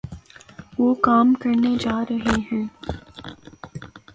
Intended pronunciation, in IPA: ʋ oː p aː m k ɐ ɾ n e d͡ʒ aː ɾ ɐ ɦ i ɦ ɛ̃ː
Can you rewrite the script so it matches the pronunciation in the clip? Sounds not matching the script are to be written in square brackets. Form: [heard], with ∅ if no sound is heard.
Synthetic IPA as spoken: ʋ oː [k] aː m k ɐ ɾ n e d͡ʒ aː ɾ ɐ ɦ [e] ɦ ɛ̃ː